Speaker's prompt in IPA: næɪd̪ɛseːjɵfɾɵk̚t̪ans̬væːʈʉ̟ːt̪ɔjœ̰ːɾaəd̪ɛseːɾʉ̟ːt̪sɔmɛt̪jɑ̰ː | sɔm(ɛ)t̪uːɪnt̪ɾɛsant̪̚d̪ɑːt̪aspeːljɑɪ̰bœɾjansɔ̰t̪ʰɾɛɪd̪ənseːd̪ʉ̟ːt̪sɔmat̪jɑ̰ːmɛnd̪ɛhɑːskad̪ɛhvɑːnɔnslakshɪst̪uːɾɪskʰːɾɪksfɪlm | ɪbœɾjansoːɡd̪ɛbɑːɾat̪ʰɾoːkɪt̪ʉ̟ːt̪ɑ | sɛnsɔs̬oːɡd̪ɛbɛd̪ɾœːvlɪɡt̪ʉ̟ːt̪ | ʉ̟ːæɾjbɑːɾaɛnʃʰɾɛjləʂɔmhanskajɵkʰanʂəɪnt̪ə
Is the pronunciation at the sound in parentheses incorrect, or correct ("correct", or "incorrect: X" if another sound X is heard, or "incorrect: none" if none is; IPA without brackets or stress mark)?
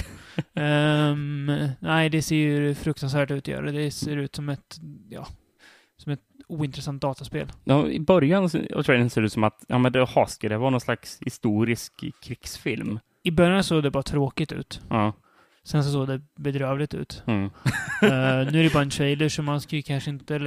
correct